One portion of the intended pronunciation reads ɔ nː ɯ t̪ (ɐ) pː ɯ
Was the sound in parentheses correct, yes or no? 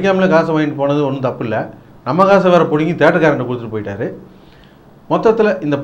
yes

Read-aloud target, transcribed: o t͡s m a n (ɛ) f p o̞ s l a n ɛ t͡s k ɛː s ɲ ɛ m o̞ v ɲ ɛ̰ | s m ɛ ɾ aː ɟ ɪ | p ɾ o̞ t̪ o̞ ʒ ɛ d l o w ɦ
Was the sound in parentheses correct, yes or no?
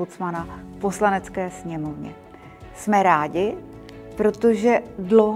no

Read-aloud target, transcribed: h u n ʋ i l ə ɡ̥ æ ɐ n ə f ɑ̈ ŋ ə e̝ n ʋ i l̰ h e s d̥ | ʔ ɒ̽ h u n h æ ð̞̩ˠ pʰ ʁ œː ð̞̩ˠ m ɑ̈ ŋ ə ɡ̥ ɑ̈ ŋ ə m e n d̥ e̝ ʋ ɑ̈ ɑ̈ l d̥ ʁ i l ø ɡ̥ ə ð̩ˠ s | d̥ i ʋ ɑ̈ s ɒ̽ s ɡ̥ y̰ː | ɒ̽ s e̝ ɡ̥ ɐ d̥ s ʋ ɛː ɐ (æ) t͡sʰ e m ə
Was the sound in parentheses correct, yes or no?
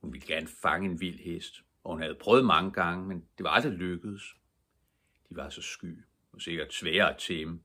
yes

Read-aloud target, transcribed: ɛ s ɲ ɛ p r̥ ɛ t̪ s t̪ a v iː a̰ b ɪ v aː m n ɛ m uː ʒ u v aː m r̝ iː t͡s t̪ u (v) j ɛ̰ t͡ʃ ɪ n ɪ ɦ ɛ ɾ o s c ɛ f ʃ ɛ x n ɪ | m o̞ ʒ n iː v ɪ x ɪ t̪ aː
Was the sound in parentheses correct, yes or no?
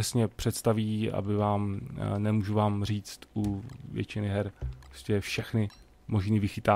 yes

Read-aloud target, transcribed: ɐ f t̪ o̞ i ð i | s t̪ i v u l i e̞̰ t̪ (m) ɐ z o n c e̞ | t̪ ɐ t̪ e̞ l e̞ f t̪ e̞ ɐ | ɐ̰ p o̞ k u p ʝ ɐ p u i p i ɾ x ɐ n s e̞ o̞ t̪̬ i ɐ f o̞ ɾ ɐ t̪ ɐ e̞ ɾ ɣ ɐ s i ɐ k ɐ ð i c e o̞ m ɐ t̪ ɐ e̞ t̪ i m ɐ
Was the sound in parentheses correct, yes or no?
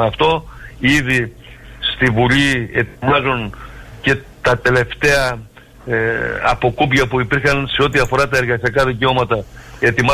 yes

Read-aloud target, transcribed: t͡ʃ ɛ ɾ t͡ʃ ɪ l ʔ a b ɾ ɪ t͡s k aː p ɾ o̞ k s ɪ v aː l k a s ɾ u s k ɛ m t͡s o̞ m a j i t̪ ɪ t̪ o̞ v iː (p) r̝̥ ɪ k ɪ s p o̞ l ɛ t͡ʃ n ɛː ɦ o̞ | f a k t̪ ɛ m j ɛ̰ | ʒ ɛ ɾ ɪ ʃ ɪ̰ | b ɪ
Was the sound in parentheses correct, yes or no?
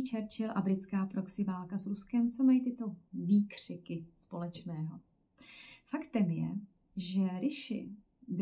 no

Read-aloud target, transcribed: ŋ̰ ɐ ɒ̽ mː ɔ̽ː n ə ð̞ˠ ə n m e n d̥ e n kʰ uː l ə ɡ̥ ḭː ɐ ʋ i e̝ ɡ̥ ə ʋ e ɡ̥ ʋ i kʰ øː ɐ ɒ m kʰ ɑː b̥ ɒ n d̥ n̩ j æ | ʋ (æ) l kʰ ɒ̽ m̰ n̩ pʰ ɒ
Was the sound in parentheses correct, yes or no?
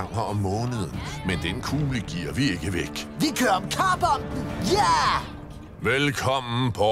no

